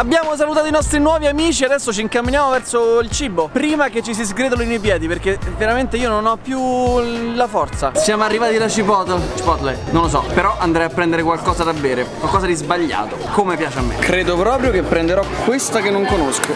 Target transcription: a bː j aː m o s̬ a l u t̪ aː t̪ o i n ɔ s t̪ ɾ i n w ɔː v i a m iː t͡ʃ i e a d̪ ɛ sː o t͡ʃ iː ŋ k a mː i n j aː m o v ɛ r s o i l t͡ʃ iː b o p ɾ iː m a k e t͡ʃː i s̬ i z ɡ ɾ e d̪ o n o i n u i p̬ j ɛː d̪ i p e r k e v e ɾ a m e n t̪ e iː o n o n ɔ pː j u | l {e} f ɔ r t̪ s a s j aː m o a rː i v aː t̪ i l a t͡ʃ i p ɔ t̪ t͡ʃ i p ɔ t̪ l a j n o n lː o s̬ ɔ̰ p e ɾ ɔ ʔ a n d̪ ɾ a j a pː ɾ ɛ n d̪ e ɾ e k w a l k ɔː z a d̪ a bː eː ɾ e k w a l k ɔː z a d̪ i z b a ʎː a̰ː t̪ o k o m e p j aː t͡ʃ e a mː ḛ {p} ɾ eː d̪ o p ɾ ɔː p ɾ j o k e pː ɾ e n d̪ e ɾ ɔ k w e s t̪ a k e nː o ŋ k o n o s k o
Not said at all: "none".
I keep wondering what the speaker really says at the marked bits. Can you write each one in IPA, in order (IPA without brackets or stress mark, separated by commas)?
a, k